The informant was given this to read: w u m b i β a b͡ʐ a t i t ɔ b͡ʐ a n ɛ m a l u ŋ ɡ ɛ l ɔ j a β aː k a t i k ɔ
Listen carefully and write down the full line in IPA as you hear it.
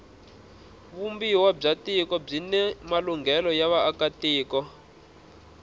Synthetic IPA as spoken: β u m b i w a b͡ʐ a t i k ɔ b͡ʐ i n ɛ m a l u ŋ ɡ ɛ l ɔ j a β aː k a t iː k ɔ